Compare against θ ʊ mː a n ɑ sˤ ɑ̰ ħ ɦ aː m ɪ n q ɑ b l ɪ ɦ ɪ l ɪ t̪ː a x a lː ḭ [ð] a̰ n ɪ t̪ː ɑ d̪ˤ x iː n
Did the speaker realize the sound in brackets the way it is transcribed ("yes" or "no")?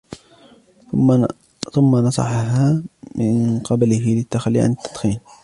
no